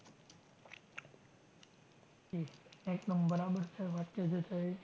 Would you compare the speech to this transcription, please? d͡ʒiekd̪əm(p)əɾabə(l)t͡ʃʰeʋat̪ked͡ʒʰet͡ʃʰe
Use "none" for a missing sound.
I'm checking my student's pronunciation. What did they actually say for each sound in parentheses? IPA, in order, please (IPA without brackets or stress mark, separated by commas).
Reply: b, ɾ